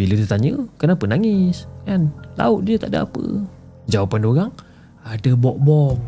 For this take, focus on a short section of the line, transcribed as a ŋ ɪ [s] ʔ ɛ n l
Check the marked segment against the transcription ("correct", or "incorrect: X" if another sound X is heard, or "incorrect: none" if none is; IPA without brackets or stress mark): correct